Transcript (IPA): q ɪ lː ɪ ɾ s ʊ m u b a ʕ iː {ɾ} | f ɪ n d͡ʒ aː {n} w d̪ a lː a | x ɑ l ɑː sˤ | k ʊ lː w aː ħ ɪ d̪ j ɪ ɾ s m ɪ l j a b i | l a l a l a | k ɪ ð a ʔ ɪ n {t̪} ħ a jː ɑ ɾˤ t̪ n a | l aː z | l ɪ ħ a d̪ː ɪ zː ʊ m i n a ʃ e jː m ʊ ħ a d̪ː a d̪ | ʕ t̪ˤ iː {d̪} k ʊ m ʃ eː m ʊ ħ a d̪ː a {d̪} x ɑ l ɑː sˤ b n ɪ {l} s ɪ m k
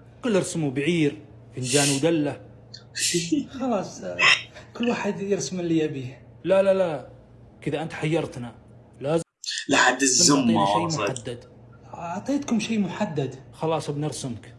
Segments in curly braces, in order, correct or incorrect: correct, correct, correct, incorrect: t̪, correct, incorrect: ɾ

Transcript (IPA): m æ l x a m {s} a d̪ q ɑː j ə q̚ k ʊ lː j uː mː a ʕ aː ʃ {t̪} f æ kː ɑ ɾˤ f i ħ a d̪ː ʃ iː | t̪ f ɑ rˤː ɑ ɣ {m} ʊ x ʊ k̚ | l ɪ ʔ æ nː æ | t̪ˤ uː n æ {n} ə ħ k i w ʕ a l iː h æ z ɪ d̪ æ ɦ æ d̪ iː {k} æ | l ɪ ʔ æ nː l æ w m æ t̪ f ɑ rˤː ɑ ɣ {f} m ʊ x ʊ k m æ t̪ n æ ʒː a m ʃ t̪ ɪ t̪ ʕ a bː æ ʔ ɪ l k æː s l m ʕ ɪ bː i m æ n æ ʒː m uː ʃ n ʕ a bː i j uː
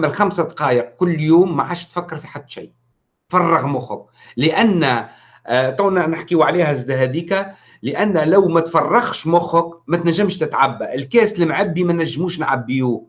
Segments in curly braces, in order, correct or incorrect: correct, correct, correct, correct, correct, incorrect: ʃ

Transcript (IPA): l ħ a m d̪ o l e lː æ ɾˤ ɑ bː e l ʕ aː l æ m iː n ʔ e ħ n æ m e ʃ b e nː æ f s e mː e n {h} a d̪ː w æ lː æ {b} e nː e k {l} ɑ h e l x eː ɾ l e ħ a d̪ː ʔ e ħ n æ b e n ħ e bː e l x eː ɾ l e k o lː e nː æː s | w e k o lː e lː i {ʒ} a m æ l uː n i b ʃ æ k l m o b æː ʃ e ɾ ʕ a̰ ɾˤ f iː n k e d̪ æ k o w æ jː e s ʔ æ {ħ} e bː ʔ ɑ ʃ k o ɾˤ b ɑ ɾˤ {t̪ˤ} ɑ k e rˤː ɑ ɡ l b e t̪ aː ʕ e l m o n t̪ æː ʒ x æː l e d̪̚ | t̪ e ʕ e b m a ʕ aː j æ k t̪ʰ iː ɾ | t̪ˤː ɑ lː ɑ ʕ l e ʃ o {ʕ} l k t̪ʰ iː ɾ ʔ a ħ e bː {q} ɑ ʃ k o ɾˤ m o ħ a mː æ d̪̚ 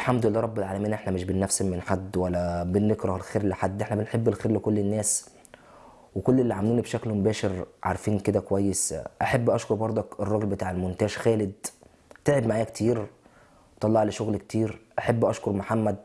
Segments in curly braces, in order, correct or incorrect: incorrect: ħ, correct, incorrect: ɾ, incorrect: ʕ, correct, incorrect: d̪ˤ, incorrect: ɣ, incorrect: ʔ

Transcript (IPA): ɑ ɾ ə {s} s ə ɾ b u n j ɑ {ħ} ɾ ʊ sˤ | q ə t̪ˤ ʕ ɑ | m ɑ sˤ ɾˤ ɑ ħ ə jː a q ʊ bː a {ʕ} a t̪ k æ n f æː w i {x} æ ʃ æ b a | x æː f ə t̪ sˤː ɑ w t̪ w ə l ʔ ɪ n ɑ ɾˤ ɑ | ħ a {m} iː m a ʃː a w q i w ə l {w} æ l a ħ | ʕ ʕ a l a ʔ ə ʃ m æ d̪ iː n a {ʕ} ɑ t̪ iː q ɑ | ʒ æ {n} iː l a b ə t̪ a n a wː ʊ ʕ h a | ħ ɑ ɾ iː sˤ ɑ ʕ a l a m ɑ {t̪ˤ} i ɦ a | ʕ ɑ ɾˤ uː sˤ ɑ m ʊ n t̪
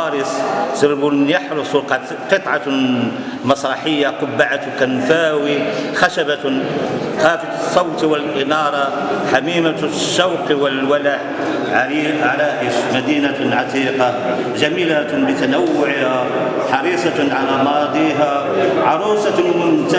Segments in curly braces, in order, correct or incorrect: correct, correct, correct, correct, correct, correct, correct, incorrect: m, incorrect: d̪ˤ

